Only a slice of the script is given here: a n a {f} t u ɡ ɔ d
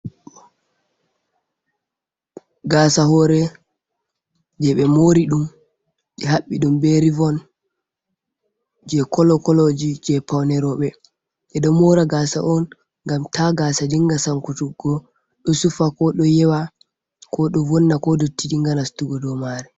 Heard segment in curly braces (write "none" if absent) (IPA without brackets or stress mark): s